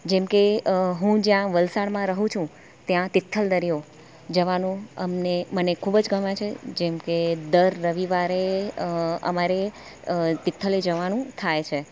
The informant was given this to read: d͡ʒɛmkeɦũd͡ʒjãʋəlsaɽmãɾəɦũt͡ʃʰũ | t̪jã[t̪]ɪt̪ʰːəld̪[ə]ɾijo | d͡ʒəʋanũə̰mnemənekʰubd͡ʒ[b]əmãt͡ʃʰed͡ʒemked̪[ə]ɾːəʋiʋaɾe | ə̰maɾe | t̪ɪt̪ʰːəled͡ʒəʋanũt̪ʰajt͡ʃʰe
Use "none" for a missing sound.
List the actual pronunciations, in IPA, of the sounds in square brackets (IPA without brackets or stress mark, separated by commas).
t̪, ə, ɡ, ə